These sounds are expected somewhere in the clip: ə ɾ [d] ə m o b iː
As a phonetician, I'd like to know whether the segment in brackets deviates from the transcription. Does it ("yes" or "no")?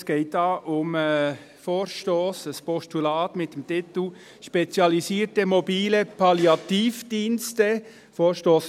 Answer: yes